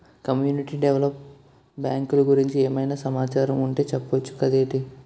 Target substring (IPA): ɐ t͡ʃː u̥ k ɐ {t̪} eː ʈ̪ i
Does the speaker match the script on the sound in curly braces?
no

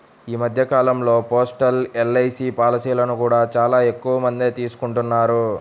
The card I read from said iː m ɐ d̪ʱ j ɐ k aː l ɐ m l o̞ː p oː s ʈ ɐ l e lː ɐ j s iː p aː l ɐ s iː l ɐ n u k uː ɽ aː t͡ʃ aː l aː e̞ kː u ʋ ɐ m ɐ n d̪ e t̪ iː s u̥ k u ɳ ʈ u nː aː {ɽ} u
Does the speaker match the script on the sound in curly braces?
no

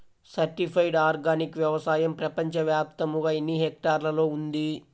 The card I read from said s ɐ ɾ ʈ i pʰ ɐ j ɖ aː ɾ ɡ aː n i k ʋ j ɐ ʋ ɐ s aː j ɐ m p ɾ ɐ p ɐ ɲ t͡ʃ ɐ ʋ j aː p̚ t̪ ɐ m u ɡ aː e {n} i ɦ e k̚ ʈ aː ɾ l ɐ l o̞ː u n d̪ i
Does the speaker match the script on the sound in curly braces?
no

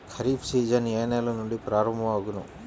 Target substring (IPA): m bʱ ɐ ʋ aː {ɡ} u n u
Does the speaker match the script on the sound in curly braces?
yes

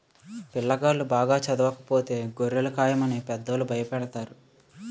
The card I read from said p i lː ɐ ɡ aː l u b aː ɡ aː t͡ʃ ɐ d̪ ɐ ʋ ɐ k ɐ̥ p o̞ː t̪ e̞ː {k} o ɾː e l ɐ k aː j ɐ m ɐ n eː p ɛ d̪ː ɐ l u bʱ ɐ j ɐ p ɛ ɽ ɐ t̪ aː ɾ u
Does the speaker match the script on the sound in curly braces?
no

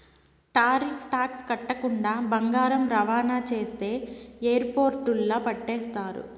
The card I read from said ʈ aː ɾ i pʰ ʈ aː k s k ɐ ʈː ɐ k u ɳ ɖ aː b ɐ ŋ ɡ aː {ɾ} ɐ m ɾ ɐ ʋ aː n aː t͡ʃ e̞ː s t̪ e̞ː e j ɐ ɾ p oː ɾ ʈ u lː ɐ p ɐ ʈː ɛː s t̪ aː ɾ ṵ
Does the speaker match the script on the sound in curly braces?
yes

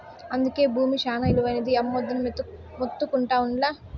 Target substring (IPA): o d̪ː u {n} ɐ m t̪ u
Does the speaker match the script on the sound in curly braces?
yes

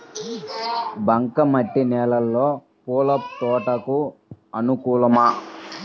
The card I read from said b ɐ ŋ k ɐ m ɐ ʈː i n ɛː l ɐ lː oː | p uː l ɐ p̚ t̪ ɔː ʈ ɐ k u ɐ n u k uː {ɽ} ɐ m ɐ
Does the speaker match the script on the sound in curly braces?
no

